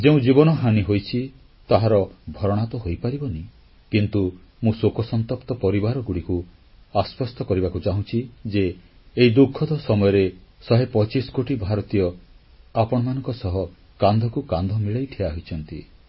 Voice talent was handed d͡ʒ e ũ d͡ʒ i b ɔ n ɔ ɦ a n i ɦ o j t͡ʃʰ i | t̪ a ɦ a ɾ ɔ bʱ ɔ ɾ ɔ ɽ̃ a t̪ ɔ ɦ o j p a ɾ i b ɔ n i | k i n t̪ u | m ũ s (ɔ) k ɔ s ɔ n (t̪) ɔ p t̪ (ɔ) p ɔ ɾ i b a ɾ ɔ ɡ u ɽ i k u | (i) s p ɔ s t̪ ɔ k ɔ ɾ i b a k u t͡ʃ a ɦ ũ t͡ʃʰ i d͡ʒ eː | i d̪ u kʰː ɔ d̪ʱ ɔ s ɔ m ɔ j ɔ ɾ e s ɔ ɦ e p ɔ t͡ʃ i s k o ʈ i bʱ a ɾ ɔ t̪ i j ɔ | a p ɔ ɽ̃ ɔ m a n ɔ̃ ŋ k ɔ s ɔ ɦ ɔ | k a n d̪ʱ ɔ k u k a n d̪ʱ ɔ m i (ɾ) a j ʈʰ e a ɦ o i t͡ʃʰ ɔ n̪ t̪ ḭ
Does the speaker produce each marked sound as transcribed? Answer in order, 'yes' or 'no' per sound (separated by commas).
no, yes, yes, no, no